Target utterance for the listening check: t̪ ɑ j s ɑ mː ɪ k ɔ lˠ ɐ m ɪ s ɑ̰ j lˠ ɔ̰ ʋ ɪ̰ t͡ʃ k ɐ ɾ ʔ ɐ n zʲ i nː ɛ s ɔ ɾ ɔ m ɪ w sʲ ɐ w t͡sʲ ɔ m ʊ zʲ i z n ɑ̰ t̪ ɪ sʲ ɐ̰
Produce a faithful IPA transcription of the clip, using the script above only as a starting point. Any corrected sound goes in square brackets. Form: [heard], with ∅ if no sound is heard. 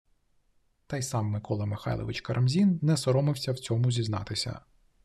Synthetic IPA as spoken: t̪ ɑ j s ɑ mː ɪ k ɔ lˠ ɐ m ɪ [x] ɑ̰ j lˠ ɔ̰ ʋ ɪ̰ t͡ʃ k ɐ ɾ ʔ ɐ [m] zʲ i nː ɛ s ɔ ɾ ɔ m ɪ w sʲ ɐ w t͡sʲ ɔ m ʊ zʲ i z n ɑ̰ t̪ ɪ sʲ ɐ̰